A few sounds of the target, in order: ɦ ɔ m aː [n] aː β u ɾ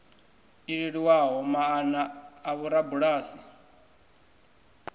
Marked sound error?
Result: no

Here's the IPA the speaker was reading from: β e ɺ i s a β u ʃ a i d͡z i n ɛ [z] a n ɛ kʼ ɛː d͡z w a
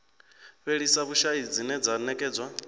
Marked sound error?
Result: yes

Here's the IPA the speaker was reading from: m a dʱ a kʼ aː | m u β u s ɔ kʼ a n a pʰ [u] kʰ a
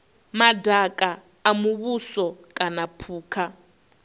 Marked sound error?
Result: yes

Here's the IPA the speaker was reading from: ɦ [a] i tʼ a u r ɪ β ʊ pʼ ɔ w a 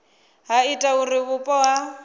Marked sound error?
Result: no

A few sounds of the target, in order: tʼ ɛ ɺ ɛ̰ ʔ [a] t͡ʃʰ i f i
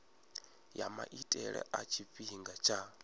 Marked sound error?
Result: no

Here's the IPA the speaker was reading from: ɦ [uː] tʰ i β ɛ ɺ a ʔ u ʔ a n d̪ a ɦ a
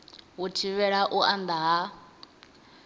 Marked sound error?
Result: yes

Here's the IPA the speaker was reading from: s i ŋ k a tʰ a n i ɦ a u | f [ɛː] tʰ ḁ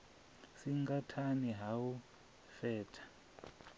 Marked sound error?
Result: no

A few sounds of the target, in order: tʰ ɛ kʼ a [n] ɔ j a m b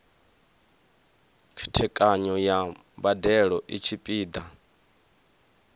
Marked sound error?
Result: yes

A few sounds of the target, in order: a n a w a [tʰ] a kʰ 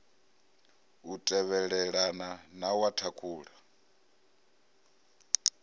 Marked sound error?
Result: no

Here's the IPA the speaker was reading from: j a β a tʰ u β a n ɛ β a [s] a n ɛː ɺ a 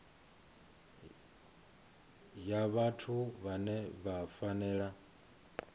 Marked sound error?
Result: yes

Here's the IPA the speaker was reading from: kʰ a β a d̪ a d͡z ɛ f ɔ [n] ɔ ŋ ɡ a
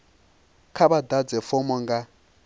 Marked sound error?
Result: yes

